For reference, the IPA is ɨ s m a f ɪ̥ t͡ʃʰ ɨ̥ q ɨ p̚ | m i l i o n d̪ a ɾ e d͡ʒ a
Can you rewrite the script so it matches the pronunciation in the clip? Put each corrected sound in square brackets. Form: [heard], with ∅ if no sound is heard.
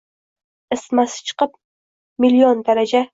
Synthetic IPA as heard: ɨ s m a [s] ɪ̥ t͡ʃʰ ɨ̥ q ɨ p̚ | m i l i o n d̪ a ɾ [a] d͡ʒ a